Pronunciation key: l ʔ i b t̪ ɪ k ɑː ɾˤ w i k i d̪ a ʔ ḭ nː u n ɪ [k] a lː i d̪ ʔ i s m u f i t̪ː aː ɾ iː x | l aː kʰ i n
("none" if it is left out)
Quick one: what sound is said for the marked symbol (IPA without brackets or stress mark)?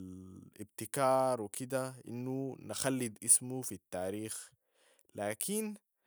x